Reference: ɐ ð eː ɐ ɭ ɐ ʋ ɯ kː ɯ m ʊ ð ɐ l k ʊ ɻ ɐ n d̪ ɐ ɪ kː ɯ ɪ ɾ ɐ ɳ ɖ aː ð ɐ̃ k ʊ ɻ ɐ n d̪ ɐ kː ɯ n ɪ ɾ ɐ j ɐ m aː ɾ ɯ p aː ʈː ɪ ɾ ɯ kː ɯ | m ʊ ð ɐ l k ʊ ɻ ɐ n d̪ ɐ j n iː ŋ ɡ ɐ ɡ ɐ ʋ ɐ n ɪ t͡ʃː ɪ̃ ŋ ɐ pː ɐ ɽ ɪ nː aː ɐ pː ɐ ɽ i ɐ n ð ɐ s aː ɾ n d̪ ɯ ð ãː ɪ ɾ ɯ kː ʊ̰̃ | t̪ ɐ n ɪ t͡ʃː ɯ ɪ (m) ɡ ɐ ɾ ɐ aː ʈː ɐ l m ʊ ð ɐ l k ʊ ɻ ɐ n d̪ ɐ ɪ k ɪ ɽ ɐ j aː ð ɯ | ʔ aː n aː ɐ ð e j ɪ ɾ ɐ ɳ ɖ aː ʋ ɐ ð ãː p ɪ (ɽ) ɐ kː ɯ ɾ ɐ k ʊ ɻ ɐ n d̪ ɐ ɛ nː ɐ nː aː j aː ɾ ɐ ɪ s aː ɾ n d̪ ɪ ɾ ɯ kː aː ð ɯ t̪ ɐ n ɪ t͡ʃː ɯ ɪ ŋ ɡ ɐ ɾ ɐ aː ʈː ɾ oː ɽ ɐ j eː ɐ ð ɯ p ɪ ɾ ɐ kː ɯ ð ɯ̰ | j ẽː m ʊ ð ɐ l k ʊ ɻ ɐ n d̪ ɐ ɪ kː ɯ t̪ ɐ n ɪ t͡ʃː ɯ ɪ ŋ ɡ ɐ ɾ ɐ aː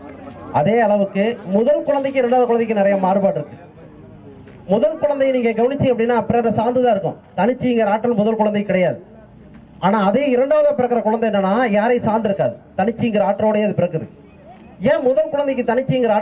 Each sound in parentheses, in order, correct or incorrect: incorrect: ŋ, incorrect: ɾ

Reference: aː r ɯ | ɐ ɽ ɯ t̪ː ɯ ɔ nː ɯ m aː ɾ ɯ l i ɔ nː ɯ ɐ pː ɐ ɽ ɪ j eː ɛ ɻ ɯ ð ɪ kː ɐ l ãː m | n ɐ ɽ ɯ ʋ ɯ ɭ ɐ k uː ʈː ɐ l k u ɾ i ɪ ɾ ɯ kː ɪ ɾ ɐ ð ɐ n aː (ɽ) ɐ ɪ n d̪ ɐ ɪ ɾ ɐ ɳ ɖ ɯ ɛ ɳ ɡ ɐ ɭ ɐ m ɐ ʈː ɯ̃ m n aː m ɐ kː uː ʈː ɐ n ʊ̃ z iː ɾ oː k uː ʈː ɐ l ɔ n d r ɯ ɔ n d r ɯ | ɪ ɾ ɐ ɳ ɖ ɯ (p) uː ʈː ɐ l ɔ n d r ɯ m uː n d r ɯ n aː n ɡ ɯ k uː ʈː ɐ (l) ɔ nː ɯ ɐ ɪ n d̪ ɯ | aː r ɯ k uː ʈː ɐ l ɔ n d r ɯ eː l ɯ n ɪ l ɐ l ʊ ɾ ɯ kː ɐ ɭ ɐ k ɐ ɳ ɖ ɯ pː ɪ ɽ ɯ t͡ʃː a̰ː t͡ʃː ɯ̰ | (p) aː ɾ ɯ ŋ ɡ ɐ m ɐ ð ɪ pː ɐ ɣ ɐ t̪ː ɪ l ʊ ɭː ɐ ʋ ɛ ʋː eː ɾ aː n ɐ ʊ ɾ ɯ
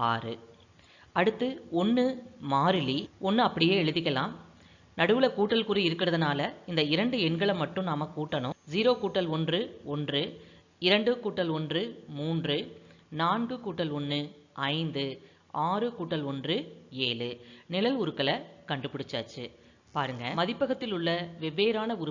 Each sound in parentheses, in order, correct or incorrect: incorrect: l, incorrect: k, correct, correct

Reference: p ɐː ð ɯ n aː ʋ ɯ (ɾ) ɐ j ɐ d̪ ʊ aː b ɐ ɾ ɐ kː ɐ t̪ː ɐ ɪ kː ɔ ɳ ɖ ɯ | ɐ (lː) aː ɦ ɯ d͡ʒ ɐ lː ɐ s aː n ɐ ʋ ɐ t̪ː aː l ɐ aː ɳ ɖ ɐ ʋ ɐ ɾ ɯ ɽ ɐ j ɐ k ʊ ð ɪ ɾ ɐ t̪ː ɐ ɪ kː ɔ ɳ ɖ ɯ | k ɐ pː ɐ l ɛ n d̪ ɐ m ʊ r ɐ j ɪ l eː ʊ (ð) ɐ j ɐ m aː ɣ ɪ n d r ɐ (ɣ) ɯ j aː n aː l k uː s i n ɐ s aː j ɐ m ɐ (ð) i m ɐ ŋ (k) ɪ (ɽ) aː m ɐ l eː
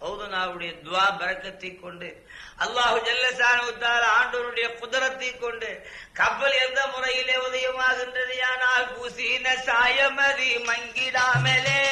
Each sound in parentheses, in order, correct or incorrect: incorrect: ɽ, correct, correct, incorrect: ð, correct, incorrect: ɡ, correct

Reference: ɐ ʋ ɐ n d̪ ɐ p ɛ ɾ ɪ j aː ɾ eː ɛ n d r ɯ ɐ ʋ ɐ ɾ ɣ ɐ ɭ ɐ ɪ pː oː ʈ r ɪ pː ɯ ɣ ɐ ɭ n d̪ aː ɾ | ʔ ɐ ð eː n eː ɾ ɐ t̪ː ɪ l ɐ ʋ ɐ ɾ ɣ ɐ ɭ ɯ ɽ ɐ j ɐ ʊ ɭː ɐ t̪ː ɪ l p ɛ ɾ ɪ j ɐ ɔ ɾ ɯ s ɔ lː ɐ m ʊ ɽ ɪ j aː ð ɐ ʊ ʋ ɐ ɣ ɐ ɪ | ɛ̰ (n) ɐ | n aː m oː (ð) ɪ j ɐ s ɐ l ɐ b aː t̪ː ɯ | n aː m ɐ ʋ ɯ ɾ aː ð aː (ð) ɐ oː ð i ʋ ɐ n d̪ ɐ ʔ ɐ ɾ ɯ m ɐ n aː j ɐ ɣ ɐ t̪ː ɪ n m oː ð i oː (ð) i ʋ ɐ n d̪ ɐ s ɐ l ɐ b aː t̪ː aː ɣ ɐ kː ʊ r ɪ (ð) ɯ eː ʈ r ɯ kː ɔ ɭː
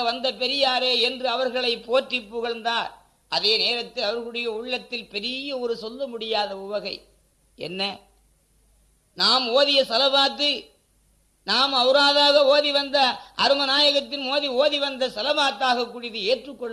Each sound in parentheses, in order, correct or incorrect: incorrect: nː, correct, incorrect: ɣ, correct, correct

